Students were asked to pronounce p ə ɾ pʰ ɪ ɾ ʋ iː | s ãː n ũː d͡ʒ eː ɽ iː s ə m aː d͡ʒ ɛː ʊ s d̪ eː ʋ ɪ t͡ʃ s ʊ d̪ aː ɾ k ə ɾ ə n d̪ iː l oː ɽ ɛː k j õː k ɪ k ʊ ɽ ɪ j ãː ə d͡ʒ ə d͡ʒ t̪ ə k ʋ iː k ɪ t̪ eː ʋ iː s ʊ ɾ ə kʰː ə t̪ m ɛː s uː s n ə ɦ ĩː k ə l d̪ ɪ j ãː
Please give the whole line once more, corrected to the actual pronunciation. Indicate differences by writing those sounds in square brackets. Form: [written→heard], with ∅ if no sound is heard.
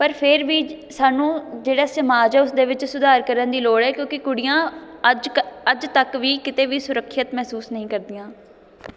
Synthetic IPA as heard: p ə ɾ pʰ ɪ ɾ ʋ iː | s [ãː→aː] n ũː d͡ʒ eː ɽ [iː→aː] s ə m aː d͡ʒ ɛː ʊ s d̪ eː ʋ ɪ t͡ʃ s ʊ d̪ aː ɾ k ə ɾ ə n d̪ iː l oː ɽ ɛː k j õː k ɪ k ʊ ɽ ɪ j ãː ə d͡ʒ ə d͡ʒ t̪ ə k ʋ iː k ɪ t̪ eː ʋ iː s ʊ ɾ ə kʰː ə t̪ m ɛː s uː s n ə ɦ ĩː k ə [l→ɾ] d̪ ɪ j ãː